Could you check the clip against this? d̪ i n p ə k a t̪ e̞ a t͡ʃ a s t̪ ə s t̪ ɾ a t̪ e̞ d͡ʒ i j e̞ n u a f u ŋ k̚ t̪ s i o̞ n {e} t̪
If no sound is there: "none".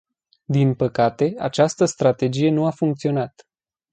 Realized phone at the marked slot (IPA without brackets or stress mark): a